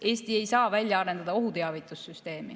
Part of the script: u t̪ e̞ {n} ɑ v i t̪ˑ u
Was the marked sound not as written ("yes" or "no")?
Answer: yes